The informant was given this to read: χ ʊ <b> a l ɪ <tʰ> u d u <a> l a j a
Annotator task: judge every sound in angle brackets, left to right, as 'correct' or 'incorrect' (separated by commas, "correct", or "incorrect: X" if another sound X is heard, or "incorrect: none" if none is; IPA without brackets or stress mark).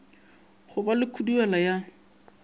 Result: correct, incorrect: kʰ, incorrect: ɛ